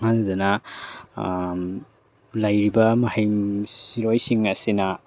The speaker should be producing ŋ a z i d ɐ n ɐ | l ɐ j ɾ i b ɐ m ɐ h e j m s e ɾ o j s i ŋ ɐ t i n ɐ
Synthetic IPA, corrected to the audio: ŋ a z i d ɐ n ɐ | l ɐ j ɾ i b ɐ m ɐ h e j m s i ɾ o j s i ŋ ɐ s i n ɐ